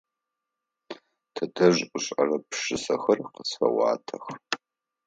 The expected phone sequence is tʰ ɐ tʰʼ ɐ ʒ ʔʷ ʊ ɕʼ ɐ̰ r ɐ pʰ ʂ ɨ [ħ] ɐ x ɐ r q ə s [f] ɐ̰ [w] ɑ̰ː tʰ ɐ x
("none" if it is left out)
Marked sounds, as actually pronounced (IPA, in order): s, f, w

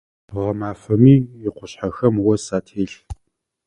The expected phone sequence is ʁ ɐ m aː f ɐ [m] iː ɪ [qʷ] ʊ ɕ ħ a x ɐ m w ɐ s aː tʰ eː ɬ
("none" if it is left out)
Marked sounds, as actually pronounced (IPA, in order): m, qʷ

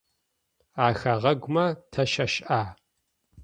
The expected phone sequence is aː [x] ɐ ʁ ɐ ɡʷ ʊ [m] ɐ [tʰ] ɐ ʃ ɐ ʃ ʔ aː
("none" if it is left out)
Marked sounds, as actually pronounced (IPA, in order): x, m, tʰ

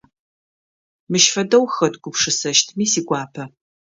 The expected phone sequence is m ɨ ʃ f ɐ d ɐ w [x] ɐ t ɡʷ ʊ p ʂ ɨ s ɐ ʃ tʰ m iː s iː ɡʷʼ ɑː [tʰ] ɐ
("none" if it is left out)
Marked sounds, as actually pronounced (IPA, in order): x, pʰ

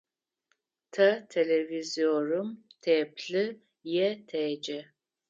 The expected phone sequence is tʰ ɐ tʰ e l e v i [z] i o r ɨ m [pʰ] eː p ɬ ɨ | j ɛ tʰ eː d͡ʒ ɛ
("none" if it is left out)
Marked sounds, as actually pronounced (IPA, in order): z, tʰ

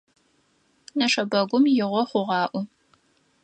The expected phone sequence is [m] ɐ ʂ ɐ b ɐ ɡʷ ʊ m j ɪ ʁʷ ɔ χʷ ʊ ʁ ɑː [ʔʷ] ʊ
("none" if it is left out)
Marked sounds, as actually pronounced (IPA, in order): n, ʔʷ

